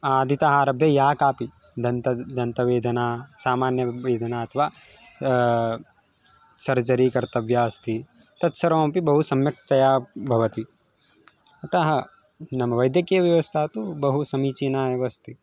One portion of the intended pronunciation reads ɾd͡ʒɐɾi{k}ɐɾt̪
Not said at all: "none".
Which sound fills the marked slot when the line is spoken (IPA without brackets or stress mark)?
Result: k